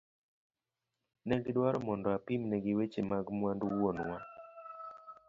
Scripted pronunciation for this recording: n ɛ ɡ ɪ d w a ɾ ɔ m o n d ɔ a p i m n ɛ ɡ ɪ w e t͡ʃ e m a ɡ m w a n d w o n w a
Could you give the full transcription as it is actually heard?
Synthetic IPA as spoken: n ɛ ɡ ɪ d w a ɾ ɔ m ɔ n d ɔ a p i m n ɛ ɡ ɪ w e t͡ʃ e m a ɡ m w a n d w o n w a